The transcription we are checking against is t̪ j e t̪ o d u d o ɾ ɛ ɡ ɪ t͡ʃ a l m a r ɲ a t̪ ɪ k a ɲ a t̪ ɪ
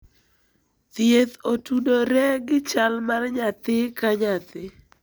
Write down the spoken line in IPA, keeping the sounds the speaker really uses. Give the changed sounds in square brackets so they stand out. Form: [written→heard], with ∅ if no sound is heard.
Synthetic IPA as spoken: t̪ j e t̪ o [d→t] u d o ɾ ɛ ɡ ɪ t͡ʃ a l m a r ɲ a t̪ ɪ k a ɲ a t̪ ɪ